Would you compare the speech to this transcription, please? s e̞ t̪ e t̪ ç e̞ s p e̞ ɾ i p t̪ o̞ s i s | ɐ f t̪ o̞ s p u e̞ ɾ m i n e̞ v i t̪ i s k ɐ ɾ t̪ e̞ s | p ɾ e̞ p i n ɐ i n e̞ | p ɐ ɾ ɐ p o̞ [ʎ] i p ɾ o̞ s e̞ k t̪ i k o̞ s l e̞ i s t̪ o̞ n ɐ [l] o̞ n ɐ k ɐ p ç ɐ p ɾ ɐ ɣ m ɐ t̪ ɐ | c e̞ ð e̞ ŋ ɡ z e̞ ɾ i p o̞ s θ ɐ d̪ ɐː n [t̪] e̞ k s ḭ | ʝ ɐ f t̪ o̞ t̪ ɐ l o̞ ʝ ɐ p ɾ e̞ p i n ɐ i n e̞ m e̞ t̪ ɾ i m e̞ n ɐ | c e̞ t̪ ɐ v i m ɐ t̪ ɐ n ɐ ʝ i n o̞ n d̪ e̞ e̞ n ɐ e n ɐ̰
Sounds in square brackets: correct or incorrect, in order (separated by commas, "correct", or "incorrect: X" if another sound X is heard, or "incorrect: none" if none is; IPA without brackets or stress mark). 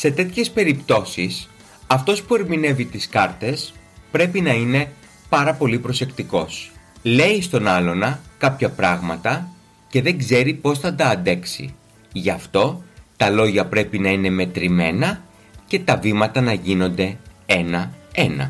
incorrect: l, correct, incorrect: d̪